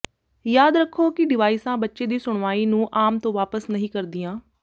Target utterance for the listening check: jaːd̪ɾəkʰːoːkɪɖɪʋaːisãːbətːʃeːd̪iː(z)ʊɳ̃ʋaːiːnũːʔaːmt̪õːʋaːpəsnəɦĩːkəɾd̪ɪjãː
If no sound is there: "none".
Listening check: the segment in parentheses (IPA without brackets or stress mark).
s